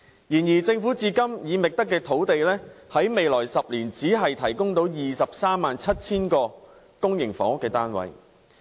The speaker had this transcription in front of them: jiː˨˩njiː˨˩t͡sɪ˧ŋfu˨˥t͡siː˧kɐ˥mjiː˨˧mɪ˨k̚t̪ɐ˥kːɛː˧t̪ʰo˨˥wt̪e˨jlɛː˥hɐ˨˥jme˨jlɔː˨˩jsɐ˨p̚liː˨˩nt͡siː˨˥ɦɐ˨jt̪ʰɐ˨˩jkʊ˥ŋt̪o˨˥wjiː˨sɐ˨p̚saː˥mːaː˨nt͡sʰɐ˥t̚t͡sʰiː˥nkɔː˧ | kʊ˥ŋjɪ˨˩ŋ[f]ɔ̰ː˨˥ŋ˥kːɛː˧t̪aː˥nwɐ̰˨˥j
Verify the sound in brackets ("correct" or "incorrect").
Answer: correct